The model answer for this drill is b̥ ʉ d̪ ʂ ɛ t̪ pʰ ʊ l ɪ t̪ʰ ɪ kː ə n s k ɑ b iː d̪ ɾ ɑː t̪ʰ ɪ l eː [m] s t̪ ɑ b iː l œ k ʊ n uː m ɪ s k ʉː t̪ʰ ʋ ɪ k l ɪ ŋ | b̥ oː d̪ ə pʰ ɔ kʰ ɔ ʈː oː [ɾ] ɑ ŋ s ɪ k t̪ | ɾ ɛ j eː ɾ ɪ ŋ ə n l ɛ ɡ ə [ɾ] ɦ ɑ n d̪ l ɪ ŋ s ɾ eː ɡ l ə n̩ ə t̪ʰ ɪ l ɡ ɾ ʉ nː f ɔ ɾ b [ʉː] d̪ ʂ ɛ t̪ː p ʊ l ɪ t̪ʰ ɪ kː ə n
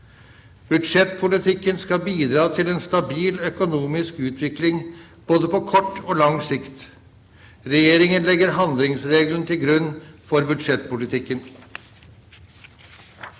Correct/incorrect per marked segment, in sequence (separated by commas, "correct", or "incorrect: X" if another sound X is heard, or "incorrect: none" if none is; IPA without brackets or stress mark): incorrect: n, incorrect: l, correct, incorrect: ʉ